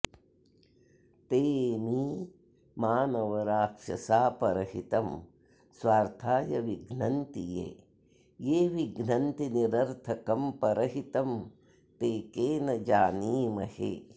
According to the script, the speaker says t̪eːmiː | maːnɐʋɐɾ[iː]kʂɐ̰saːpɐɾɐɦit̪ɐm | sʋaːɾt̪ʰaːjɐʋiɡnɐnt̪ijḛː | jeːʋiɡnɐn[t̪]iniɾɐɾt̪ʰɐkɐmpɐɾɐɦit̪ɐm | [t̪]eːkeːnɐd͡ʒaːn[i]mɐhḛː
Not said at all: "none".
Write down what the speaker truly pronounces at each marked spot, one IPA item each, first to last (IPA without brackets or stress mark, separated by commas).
aː, t̪, t̪, iː